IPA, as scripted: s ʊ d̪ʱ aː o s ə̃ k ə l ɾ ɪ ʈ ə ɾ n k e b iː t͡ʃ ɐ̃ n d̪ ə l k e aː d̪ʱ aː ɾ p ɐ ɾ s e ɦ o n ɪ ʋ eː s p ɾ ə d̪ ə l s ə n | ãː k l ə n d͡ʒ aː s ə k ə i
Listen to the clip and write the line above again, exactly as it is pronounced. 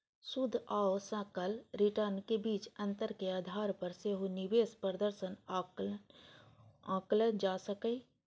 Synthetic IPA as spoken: s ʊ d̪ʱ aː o s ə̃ k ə l ɾ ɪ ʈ ə ɾ n k e b iː t͡ʃ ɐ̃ n t̪ ə ɾ k e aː d̪ʱ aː ɾ p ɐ ɾ s e ɦ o n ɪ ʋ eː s p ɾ ə d̪ ə ɾ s ə n | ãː k l ə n d͡ʒ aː s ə k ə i